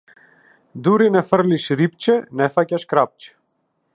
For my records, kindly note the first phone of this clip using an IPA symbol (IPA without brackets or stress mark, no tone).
d̪